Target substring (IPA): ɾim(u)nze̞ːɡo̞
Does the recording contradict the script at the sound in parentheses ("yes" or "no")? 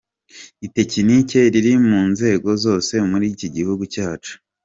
yes